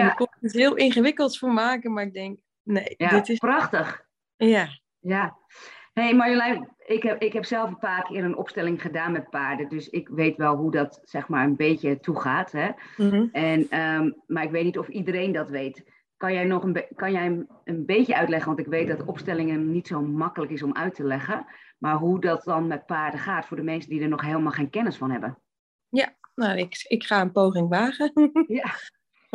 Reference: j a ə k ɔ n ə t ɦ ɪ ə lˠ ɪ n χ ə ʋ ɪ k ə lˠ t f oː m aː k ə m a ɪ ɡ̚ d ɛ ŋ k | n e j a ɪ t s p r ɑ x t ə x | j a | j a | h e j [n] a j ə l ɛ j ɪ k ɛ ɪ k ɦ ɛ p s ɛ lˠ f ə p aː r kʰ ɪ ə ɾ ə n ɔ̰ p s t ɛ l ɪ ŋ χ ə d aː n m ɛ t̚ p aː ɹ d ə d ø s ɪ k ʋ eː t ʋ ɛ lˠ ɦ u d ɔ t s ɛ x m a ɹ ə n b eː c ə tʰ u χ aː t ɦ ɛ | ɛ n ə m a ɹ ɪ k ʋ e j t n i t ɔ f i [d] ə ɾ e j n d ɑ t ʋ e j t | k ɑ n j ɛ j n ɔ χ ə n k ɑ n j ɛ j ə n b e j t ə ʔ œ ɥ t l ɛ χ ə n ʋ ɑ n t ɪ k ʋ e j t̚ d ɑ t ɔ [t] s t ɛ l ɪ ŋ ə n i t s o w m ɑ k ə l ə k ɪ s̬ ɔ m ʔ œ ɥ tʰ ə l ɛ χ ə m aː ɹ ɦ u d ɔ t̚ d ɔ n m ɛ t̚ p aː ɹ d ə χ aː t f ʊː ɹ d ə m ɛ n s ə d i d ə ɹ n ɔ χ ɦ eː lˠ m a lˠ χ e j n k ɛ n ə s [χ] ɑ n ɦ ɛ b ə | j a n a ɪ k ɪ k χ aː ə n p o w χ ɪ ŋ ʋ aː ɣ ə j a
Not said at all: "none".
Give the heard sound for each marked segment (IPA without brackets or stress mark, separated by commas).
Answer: m, d, p, f